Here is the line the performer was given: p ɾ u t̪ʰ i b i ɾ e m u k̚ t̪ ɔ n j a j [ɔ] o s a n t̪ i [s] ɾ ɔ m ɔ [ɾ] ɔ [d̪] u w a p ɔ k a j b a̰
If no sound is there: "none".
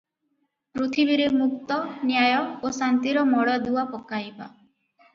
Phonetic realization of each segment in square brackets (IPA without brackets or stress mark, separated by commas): ɔ, none, ɽ, d̪